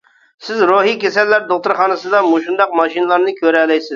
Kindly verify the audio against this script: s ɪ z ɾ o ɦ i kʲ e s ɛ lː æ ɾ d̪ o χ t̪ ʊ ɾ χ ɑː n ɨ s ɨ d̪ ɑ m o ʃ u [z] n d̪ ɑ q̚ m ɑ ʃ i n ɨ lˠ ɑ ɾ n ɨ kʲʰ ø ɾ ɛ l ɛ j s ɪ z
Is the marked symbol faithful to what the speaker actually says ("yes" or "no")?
no